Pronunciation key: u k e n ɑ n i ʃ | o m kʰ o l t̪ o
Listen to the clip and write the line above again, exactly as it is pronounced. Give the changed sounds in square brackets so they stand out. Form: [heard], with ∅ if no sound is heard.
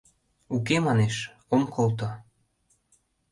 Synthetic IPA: u k e [m] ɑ n [e] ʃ | o m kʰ o l t̪ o

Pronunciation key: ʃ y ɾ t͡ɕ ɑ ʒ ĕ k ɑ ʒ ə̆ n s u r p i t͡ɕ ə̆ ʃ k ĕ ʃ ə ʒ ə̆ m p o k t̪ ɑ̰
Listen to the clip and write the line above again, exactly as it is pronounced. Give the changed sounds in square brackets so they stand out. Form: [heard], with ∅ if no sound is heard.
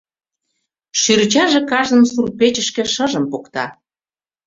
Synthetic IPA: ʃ y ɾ t͡ɕ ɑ ʒ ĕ k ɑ ʒ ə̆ n s u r p [e] t͡ɕ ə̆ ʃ k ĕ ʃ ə ʒ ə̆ m p o k t̪ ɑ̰

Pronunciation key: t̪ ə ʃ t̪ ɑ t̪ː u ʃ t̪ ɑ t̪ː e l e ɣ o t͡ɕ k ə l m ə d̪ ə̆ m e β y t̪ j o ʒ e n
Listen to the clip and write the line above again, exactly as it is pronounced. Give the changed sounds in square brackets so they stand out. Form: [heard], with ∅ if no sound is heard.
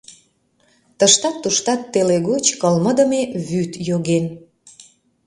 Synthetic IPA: t̪ ə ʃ t̪ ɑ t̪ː u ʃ t̪ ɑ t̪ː e l e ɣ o t͡ɕ k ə l m ə d̪ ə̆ m e β y t̪ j o [ɣ] e n

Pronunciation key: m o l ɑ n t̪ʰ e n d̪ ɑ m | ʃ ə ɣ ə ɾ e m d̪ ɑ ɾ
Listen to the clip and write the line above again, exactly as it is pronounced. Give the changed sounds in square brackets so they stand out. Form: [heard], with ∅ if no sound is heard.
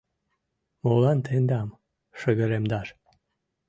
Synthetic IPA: m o l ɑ n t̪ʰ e n d̪ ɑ m | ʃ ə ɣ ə ɾ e m d̪ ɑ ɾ

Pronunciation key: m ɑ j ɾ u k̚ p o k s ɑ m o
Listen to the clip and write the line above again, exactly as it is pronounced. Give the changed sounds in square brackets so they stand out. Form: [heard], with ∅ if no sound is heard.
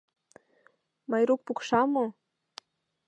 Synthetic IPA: m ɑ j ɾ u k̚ p [u] k [ʃ] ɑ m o

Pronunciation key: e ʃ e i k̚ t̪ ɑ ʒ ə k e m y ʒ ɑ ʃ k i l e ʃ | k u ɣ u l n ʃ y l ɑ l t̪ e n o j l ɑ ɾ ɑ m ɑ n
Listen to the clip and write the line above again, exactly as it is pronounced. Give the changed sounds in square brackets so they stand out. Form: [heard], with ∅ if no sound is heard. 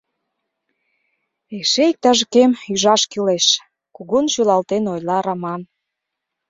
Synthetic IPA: e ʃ e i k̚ t̪ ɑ ʒ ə k e m y ʒ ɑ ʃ k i l e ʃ | k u ɣ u [∅] n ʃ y l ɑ l t̪ e n o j l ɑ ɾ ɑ m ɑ n

